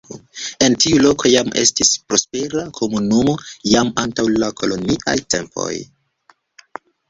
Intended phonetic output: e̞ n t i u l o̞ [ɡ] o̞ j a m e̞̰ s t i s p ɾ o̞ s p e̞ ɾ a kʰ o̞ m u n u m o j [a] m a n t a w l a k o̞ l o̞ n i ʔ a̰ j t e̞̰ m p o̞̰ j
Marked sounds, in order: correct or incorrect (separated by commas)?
incorrect, correct